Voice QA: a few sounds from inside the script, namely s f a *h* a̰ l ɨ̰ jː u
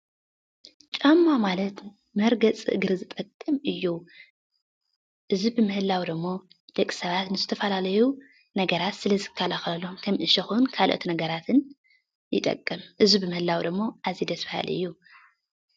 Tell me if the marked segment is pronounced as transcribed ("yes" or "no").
yes